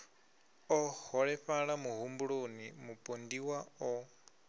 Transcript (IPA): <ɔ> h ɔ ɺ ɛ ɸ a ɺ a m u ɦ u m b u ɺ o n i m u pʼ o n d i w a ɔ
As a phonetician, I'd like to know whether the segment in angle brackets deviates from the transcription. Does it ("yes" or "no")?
no